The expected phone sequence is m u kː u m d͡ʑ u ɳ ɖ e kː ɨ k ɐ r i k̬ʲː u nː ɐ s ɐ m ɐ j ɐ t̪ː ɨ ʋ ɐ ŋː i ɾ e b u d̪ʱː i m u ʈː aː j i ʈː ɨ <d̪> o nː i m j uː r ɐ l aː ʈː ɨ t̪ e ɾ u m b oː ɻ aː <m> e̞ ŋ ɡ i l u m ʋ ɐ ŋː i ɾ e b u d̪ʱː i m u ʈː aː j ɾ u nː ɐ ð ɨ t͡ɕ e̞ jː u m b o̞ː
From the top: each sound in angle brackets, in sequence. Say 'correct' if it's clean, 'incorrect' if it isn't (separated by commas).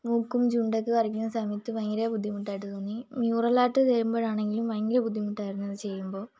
incorrect, incorrect